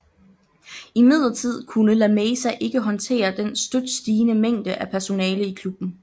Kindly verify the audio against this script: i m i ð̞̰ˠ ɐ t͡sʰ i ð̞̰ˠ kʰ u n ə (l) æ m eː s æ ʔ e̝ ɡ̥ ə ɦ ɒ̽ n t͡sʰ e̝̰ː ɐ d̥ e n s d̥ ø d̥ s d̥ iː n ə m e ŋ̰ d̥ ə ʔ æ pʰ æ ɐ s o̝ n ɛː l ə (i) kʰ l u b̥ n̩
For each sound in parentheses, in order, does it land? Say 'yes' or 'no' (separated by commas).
yes, yes